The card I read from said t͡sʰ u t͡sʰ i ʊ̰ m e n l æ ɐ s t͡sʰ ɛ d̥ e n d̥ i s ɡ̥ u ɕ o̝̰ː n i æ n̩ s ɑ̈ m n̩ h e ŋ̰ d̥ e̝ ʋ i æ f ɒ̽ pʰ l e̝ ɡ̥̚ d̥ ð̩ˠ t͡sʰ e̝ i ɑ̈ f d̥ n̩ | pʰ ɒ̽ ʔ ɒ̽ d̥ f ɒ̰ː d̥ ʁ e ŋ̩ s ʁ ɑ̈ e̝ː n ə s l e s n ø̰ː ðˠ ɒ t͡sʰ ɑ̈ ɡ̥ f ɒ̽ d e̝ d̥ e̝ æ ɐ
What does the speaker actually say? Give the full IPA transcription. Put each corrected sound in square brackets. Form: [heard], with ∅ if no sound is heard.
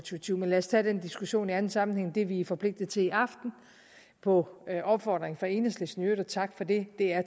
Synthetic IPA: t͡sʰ u t͡sʰ i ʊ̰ m e n l æ ɐ s t͡sʰ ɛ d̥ e n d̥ i s ɡ̥ u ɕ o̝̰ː n i æ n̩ s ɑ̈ m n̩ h e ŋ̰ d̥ e̝ ʋ i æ f ɒ̽ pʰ l e̝ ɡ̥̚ d̥ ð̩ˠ t͡sʰ e̝ i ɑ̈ f d̥ n̩ | pʰ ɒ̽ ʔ ɒ̽ [b̥] f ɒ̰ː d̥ ʁ e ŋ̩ [f] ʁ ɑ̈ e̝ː n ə s l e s n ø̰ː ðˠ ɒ t͡sʰ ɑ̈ ɡ̥ f ɒ̽ d e̝ d̥ e̝ æ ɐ